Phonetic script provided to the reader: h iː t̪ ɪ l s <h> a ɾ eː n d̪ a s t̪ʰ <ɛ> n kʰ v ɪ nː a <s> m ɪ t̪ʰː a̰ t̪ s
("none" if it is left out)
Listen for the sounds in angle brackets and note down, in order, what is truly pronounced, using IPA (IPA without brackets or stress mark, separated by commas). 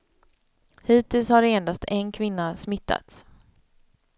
h, ɛ, s